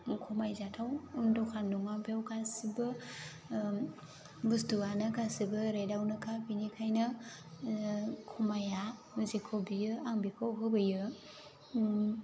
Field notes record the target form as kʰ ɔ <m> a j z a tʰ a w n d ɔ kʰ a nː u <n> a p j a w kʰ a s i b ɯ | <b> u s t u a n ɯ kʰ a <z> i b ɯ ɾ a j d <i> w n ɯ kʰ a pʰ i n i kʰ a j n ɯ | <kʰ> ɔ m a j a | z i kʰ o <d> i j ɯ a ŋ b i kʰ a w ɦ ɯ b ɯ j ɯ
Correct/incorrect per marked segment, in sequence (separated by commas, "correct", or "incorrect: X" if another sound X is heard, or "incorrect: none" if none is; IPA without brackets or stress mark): correct, incorrect: ŋ, correct, incorrect: s, incorrect: a, correct, incorrect: b